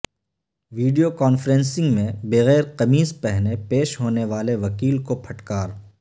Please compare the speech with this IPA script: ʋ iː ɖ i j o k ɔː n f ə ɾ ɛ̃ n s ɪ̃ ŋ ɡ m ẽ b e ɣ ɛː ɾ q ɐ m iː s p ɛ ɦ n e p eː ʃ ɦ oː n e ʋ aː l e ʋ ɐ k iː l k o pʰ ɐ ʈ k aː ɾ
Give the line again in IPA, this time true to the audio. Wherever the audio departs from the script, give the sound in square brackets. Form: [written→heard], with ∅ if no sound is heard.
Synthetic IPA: ʋ iː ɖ i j o k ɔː n f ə ɾ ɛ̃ n s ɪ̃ ŋ ɡ m ẽ b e ɣ ɛː ɾ q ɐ m iː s p ɛ ɦ n e p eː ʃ ɦ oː n e ʋ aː l e ʋ ɐ k iː l k o pʰ ɐ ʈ k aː ɾ